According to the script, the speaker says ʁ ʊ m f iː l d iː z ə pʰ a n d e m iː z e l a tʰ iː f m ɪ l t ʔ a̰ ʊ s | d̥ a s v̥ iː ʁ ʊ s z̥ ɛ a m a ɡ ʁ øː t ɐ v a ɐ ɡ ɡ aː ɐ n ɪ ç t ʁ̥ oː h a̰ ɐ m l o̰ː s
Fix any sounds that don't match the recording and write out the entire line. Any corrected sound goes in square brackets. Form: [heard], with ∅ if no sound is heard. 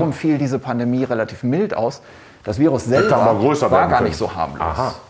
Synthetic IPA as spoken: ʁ ʊ m f iː l d iː z ə pʰ a n d e m iː [ʁ] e l a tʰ iː f m ɪ l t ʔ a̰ ʊ s | d̥ a s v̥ iː ʁ ʊ s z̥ ɛ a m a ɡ ʁ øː [s] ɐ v a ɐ ɡ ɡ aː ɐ n ɪ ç t [z̥] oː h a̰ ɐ m l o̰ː s